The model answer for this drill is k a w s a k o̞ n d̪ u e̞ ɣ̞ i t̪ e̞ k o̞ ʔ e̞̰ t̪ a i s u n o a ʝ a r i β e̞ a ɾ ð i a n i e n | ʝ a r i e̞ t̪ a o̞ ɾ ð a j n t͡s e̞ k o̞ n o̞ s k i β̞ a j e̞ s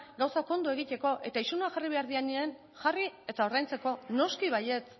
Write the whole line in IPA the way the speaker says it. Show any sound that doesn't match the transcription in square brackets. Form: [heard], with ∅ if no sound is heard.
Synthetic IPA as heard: [ɡ] a w s a k o̞ n d̪ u e̞ ɣ̞ i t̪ e̞ k o̞ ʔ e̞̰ t̪ a i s u n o a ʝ a r i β e̞ a ɾ ð i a n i e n | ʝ a r i e̞ t̪ a o̞ ɾ ð a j n t͡s e̞ k o̞ n o̞ s k i β̞ a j e̞ [t͡s]